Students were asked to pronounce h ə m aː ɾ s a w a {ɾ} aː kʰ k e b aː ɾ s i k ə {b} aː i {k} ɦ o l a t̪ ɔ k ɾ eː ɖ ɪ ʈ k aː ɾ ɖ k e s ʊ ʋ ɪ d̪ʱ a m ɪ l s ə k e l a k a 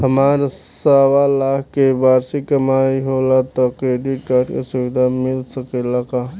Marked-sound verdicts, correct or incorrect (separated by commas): incorrect, incorrect, incorrect